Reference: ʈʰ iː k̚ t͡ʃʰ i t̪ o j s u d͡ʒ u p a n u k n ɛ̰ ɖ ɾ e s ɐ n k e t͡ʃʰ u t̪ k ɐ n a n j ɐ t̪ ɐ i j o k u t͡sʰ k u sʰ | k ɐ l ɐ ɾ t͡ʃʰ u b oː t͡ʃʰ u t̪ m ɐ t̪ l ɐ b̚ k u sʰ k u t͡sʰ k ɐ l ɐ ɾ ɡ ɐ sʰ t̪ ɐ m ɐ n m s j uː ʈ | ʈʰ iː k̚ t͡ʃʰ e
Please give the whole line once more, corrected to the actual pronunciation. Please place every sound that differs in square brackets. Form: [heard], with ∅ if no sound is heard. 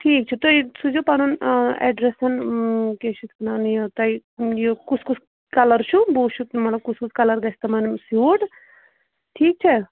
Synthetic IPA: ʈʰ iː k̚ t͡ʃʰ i t̪ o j s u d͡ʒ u p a n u [∅] n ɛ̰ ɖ ɾ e s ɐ n k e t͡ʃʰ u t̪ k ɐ n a n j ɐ t̪ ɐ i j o k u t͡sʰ k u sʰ | k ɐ l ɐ ɾ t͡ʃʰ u b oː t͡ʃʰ u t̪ m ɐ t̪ l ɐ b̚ k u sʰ k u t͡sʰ k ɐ l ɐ ɾ ɡ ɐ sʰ t̪ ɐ m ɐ n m s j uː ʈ | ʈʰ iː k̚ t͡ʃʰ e